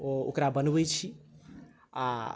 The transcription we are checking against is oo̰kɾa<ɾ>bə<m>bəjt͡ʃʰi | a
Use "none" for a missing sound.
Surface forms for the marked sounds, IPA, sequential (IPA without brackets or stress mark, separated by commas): none, n